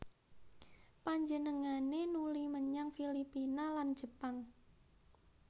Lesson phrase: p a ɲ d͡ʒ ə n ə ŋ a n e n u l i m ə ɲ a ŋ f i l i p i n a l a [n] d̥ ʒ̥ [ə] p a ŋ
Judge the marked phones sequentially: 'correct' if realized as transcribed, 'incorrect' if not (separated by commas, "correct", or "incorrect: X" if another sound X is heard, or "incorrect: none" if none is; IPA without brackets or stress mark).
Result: correct, correct